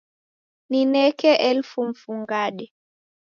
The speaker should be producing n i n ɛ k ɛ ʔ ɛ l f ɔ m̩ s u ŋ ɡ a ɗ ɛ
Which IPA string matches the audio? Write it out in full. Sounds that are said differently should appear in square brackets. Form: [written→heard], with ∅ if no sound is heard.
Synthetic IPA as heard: n i n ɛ k ɛ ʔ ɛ l f [ɔ→u] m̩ [s→f] u ŋ ɡ a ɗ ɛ